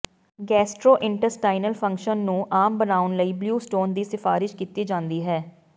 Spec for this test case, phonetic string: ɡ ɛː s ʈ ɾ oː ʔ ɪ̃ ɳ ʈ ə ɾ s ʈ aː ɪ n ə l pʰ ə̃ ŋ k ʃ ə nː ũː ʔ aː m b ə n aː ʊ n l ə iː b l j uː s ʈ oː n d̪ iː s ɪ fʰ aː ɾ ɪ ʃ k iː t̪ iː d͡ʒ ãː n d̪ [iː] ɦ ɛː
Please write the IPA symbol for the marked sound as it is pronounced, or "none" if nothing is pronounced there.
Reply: iː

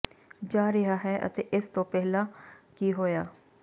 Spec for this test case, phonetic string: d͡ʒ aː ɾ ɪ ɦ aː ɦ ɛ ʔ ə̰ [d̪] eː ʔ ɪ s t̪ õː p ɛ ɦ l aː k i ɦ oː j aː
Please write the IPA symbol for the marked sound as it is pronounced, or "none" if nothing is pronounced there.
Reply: t̪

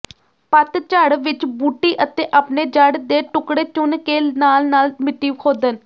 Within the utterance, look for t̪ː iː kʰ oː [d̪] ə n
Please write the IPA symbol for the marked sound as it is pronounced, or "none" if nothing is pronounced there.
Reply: d̪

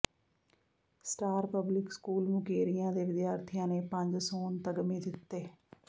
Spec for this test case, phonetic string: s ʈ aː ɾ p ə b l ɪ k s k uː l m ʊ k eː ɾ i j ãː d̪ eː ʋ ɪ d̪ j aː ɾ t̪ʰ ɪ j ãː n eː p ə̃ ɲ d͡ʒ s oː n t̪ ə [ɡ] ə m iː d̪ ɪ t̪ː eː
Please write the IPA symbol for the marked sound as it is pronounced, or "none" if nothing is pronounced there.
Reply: ɡ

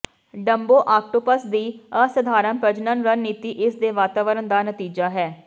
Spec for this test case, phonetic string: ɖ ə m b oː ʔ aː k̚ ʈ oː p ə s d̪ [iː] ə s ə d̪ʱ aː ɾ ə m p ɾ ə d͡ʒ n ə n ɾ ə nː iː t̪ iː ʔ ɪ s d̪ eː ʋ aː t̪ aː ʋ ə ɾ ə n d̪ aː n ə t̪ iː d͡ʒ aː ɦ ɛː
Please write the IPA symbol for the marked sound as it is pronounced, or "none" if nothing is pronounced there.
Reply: iː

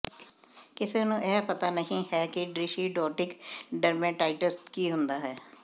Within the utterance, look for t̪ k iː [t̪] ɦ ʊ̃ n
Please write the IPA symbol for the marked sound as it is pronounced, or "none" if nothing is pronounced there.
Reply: none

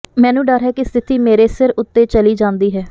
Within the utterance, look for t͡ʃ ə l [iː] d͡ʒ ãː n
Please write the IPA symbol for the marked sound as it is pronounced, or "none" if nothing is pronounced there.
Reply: iː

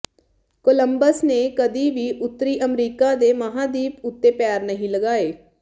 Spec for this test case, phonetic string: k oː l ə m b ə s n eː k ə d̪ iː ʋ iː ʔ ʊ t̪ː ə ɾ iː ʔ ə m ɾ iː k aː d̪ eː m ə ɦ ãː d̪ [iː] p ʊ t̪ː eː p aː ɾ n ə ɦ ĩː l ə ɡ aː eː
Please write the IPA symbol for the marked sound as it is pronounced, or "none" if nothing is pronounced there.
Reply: iː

